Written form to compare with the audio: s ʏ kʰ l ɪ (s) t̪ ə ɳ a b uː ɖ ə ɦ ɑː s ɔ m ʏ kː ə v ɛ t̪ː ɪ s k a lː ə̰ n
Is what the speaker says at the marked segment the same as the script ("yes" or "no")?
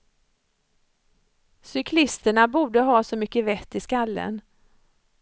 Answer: yes